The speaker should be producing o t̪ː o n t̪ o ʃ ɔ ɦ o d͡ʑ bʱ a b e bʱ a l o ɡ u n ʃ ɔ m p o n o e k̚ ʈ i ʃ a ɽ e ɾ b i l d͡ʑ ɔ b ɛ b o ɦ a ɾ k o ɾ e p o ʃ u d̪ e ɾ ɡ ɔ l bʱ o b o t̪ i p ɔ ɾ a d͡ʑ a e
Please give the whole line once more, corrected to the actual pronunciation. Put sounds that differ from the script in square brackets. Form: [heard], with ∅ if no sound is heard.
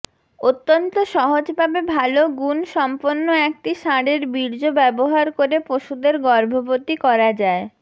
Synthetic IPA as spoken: o t̪ː o n t̪ o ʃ ɔ ɦ o d͡ʑ bʱ a b e bʱ a l o ɡ u n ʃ ɔ m p o [nː] o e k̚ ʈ i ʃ a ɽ e ɾ b i [ɾ] d͡ʑ [o] b ɛ b o ɦ a ɾ k o ɾ e p o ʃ u d̪ e ɾ ɡ ɔ [ɾ] bʱ o b o t̪ i [k] ɔ ɾ a d͡ʑ a e